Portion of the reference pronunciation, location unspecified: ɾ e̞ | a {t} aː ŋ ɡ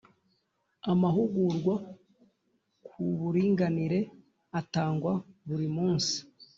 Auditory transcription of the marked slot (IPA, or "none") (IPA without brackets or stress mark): t